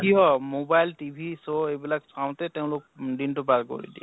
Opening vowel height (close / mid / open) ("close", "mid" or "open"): close